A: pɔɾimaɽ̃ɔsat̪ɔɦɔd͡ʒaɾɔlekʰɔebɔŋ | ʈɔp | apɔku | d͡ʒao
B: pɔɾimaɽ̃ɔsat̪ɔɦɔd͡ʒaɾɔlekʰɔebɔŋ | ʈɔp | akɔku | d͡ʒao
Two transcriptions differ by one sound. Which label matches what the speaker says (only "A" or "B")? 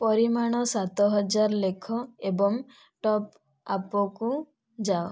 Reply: A